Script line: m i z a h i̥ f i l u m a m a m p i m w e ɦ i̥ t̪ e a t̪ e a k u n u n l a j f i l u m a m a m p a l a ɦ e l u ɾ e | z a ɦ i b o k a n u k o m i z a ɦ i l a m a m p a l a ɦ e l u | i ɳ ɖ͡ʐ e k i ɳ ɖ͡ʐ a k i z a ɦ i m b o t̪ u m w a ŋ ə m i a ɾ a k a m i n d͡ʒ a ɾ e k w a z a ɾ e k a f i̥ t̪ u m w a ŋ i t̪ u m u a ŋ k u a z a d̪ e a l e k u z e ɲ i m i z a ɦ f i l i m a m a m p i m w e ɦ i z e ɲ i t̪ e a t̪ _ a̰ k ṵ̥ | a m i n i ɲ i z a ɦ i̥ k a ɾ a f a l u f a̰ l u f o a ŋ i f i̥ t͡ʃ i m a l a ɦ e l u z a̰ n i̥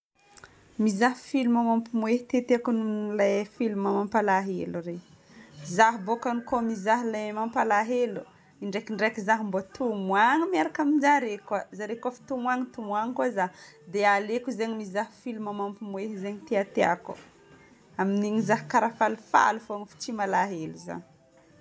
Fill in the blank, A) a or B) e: B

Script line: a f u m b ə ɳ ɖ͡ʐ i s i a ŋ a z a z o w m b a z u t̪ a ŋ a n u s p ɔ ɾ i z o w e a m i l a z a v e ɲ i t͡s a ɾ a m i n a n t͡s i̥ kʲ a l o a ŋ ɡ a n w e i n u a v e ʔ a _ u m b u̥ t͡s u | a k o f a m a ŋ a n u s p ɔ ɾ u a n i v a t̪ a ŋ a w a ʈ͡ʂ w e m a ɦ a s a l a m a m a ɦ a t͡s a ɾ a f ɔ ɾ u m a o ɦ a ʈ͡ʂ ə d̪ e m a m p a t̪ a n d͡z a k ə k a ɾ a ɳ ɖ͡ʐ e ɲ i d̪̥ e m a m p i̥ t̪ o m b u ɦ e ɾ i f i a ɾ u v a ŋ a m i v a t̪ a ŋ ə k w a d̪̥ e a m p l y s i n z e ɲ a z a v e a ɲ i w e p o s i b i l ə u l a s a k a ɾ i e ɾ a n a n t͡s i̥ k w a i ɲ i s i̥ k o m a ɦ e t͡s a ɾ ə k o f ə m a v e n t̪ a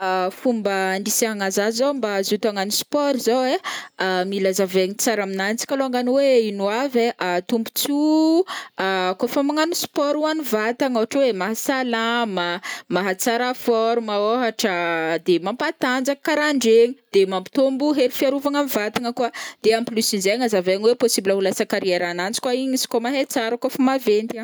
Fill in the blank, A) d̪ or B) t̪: B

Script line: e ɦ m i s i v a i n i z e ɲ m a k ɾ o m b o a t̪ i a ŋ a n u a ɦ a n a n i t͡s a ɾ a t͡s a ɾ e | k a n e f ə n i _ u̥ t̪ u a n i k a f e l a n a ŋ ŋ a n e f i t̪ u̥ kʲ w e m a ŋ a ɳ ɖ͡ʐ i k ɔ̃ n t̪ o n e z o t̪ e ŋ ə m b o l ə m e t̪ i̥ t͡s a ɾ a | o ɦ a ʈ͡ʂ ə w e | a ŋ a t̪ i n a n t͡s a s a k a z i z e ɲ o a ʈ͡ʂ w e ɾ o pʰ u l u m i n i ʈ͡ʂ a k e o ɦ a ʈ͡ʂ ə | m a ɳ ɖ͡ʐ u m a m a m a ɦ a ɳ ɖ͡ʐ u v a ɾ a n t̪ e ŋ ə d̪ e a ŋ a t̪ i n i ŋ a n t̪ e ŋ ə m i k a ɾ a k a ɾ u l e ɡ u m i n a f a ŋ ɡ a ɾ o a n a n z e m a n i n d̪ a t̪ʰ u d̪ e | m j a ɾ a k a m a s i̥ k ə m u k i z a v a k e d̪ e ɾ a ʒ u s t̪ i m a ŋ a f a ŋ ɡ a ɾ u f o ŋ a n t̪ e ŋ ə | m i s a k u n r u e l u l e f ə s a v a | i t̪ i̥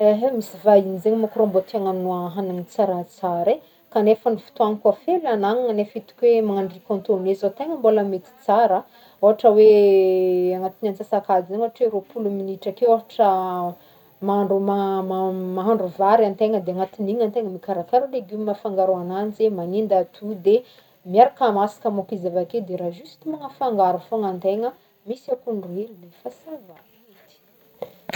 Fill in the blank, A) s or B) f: B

